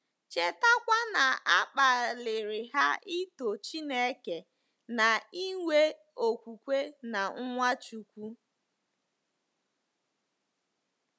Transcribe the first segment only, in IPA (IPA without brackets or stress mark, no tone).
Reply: t͡ʃ